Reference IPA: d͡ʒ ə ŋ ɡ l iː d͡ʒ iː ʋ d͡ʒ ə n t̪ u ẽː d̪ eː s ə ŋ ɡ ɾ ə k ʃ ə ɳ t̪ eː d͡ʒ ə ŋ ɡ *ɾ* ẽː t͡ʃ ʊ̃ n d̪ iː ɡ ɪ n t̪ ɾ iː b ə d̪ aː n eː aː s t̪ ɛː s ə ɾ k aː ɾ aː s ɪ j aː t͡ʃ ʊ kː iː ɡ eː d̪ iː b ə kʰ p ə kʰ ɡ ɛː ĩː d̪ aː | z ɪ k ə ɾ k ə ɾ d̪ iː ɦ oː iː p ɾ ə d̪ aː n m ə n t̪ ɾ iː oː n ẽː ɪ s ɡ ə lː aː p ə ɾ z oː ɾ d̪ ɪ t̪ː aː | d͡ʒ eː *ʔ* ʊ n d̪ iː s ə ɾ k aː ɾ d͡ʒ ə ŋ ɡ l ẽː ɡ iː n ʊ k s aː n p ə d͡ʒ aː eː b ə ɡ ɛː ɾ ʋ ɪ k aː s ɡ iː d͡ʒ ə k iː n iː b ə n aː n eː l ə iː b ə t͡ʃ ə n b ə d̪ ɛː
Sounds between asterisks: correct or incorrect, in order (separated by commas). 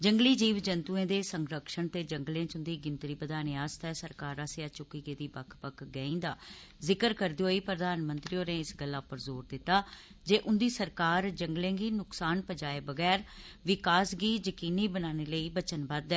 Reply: incorrect, correct